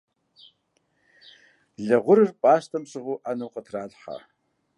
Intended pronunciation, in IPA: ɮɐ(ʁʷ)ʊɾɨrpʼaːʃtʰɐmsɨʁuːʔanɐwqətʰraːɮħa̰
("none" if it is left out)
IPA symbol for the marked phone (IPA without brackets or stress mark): ʁʷ